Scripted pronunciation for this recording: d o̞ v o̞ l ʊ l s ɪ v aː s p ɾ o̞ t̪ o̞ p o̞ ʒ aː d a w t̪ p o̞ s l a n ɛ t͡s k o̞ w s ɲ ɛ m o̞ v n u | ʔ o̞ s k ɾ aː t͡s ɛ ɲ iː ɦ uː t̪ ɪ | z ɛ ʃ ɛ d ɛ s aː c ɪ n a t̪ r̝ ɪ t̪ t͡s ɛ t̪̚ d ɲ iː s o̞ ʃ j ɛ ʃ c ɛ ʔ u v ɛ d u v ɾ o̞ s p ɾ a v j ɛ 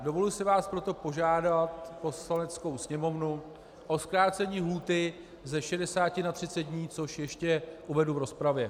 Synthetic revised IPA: d o̞ v o̞ l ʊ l s ɪ v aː s p ɾ o̞ t̪ o̞ p o̞ ʒ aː d a t̪ p o̞ s l a n ɛ t͡s k o̞ w s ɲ ɛ m o̞ v n u | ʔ o̞ s k ɾ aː t͡s ɛ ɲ iː ɦ uː t̪ ɪ | z ɛ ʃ ɛ d ɛ s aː c ɪ n a t̪ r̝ ɪ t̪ t͡s ɛ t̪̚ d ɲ iː t͡s o̞ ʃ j ɛ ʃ c ɛ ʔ u v ɛ d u v ɾ o̞ s p ɾ a v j ɛ